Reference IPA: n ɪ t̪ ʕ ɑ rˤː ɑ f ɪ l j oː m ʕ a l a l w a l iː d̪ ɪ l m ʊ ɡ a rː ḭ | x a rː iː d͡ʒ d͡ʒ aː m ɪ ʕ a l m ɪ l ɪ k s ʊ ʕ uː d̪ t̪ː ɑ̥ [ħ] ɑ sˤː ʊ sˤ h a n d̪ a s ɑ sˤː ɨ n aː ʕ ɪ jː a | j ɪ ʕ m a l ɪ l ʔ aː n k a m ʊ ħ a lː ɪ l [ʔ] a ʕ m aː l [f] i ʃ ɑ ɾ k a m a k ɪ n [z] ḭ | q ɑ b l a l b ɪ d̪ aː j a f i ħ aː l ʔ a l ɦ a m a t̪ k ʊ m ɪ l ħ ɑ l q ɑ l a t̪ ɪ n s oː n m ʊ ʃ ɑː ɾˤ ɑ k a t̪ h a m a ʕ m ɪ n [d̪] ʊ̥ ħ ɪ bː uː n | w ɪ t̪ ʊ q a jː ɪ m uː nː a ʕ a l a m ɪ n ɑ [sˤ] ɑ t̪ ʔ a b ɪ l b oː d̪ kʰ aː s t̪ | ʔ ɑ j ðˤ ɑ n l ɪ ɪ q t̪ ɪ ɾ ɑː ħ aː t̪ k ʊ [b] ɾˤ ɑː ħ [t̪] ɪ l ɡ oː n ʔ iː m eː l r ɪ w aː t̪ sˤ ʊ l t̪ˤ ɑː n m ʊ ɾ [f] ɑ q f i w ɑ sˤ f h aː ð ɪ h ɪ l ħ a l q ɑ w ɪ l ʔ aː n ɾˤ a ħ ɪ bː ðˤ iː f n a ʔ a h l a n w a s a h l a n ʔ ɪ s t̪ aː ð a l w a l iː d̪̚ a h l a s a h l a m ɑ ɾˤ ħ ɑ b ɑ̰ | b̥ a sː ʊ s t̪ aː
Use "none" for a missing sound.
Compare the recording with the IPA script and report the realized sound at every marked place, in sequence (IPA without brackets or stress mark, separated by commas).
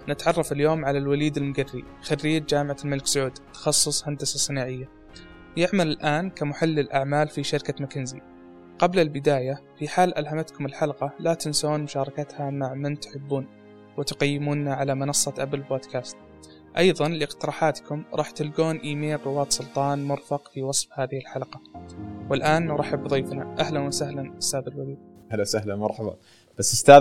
x, ʔ, f, z, t̪, sˤː, m, t̪, f